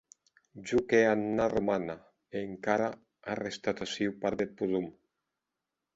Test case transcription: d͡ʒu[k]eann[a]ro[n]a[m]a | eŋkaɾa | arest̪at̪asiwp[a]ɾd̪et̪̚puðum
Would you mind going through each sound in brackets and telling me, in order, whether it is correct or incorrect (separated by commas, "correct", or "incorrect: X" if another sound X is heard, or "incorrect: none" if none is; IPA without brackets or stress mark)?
correct, correct, incorrect: m, incorrect: n, correct